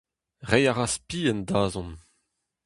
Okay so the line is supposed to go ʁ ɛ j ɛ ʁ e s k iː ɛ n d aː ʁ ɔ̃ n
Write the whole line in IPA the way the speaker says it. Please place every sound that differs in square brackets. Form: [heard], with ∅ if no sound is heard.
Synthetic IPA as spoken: ʁ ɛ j [a] ʁ [a] s [p] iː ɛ n d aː [z] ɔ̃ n